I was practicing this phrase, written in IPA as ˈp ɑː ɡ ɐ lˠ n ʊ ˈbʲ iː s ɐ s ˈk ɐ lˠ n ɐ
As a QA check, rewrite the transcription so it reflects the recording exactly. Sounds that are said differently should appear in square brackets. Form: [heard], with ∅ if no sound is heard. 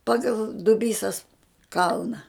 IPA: ˈp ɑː ɡ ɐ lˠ [d] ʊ ˈbʲ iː s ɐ s ˈk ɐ lˠ n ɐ